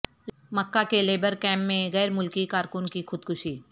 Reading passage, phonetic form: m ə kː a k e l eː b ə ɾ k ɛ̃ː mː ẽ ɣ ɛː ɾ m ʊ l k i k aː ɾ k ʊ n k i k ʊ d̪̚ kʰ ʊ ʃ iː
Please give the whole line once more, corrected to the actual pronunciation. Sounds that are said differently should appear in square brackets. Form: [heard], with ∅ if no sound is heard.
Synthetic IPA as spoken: m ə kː a k e l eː b ə ɾ k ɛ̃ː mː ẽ ɣ ɛː ɾ m ʊ l k i k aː ɾ k ʊ n k i [x] ʊ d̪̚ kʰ ʊ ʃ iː